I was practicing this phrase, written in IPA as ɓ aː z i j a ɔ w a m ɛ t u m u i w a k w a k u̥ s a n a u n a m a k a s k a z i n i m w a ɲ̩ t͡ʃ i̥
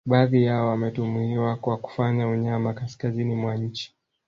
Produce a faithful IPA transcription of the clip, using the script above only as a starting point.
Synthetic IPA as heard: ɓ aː ð i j a ɔ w a m ɛ t u m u i w a k w a k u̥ f a ɲ a u ɲ a m a k a s k a z i n i m w a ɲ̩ t͡ʃ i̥